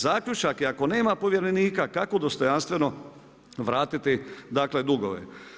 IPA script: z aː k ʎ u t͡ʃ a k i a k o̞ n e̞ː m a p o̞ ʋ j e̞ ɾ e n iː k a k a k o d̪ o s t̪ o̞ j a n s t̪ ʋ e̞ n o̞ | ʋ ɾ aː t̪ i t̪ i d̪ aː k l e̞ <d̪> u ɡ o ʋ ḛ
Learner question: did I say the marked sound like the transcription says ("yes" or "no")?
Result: yes